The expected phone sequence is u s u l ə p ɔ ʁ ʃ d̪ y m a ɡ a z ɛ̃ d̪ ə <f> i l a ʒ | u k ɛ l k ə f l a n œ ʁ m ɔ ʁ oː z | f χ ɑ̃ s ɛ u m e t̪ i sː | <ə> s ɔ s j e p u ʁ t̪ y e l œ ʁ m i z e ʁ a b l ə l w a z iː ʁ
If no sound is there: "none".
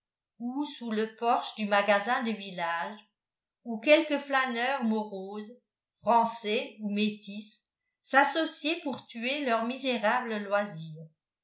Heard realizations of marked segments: v, a

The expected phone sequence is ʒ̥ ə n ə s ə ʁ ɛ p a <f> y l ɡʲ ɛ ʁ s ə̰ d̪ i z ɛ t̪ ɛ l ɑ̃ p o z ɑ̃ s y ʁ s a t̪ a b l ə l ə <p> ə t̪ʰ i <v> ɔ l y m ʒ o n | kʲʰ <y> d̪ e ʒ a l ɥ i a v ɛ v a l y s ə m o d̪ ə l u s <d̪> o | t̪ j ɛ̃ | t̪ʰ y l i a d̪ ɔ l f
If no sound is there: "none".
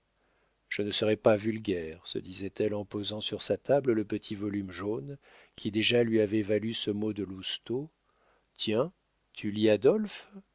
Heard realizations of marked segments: v, p, v, i, t̪

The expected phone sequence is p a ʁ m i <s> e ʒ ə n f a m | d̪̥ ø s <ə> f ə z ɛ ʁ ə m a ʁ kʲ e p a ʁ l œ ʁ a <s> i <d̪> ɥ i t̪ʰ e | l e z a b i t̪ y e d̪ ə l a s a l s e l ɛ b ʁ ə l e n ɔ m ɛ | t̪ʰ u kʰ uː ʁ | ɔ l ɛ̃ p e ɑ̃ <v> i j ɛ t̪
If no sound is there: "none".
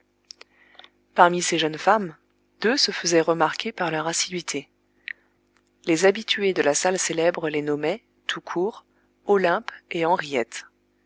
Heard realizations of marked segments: s, ə, s, d̪, ʁ

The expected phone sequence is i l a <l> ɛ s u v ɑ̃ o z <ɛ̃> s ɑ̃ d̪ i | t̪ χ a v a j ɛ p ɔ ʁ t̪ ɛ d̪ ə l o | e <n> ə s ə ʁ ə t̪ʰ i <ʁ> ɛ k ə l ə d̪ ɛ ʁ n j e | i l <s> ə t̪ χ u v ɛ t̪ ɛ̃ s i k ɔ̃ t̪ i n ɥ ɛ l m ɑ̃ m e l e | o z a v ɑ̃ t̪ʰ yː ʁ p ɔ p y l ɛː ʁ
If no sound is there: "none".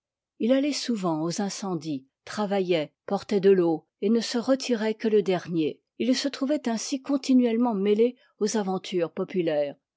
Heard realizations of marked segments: l, ɛ̃, n, ʁ, s

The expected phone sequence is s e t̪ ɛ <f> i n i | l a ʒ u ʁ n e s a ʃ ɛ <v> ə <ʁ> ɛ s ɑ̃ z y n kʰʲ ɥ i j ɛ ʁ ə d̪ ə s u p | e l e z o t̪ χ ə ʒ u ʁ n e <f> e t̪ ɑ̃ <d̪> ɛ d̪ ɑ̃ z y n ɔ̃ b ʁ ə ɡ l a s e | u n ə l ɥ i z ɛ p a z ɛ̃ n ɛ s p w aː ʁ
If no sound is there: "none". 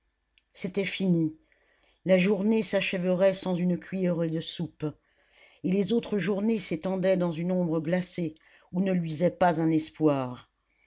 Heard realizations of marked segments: f, v, ʁ, s, d̪

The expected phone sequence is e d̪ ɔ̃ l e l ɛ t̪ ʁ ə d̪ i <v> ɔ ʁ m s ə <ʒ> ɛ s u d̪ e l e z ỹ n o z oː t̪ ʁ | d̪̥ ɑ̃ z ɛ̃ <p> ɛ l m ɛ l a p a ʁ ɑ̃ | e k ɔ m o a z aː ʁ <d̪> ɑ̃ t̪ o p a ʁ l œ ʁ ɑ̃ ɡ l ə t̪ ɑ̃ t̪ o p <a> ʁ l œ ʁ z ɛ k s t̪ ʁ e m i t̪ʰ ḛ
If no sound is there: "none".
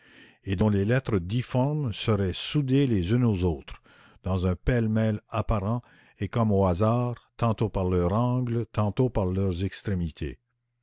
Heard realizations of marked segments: f, ʁ, p, t̪, a

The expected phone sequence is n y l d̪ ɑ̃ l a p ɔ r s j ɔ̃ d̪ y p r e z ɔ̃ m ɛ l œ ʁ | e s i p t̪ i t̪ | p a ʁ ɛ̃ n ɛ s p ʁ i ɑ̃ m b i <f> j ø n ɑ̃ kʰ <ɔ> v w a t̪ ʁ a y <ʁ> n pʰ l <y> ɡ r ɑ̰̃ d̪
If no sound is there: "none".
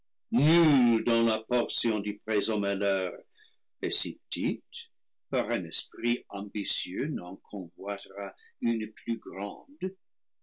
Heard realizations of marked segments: s, ɔ̃, none, y

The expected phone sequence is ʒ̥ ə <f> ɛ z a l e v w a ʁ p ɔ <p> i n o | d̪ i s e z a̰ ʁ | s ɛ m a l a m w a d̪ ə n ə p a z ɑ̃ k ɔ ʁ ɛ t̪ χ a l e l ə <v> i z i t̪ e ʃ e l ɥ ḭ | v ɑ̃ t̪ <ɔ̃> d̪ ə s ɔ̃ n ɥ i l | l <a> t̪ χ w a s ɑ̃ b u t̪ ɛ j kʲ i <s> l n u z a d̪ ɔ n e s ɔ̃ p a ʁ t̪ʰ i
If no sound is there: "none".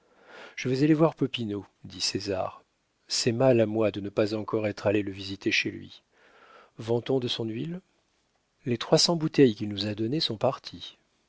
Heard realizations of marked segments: v, p, v, ɔ̃, e, none

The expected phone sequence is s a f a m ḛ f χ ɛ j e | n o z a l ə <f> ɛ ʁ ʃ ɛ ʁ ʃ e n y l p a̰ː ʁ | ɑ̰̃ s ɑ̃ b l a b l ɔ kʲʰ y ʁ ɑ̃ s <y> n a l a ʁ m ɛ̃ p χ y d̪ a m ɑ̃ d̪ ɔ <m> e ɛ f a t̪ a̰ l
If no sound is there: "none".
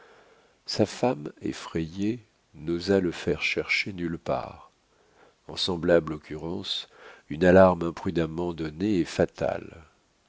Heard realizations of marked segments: f, y, n

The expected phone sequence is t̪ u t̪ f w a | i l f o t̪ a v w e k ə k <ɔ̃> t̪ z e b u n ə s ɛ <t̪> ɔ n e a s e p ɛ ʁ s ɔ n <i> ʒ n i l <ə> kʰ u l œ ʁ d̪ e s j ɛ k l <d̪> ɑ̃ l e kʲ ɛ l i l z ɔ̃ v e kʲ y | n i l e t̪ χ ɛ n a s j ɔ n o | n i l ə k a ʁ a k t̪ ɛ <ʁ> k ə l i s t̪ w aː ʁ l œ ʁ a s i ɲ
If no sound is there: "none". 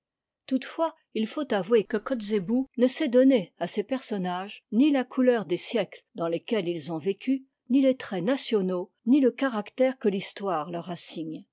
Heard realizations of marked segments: ɔ, d̪, a, a, d̪, ʁ

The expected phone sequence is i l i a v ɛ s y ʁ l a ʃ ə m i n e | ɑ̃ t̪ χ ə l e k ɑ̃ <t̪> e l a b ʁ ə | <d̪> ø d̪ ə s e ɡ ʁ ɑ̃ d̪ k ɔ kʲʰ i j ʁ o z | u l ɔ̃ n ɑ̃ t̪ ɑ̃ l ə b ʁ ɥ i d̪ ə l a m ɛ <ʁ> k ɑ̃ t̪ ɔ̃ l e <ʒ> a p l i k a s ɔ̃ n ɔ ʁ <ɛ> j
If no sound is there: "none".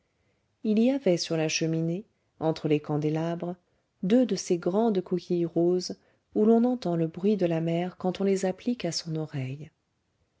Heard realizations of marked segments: d̪, d̪, ʁ, z, ɛ

